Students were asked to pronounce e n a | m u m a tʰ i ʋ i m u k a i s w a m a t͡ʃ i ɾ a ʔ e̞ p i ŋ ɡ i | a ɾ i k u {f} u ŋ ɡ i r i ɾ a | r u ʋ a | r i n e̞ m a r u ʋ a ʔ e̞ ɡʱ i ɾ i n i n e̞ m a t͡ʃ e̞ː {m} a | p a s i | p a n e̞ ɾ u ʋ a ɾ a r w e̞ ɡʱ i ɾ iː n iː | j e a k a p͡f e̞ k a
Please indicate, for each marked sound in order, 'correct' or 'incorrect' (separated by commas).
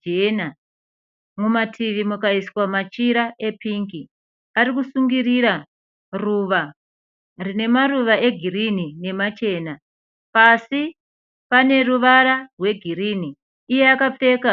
incorrect, incorrect